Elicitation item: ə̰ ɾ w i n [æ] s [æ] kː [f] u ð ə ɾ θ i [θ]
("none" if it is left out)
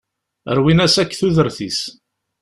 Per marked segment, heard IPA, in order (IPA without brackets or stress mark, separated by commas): æ, æ, θ, s